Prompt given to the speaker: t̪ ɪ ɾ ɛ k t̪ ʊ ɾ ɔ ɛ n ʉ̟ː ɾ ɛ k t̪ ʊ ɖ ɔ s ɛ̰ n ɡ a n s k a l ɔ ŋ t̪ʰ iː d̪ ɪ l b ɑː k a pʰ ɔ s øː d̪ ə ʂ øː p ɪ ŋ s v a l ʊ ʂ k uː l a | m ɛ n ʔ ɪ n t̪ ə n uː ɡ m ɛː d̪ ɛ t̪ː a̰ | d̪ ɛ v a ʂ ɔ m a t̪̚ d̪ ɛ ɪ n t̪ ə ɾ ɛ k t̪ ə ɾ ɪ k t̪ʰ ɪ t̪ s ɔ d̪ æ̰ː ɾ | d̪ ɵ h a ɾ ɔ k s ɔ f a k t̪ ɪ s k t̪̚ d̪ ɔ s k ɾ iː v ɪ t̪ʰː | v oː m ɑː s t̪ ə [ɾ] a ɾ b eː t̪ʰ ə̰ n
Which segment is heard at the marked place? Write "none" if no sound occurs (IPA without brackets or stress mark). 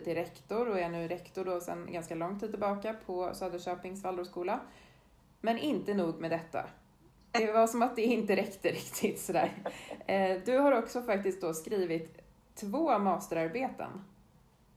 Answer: ɾ